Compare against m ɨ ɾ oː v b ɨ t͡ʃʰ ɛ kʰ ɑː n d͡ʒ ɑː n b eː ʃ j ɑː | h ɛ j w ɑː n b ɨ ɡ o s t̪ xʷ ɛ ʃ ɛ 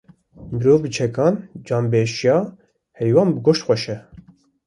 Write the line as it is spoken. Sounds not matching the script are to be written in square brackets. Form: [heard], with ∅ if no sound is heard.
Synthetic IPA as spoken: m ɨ ɾ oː v b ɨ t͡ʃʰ ɛ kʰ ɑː n d͡ʒ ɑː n b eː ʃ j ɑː | h ɛ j w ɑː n b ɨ ɡ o [ʃ] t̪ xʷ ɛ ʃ ɛ